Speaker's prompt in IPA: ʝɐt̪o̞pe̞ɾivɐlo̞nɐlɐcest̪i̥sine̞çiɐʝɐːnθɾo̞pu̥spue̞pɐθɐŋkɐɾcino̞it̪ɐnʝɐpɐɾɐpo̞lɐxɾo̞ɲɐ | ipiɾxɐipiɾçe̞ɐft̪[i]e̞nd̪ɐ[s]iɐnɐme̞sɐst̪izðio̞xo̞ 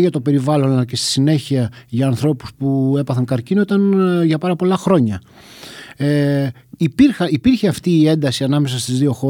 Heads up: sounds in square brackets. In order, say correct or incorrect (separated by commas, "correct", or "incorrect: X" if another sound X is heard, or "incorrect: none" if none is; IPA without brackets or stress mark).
incorrect: iː, correct